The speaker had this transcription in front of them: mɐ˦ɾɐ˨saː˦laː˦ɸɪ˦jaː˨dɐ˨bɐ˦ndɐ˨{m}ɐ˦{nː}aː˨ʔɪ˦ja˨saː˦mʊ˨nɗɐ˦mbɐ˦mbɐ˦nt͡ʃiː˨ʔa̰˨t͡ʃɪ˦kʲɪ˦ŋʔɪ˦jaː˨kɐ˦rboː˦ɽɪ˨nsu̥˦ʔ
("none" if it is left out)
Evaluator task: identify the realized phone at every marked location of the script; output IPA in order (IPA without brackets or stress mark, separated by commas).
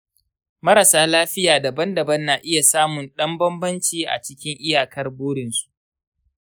b, nː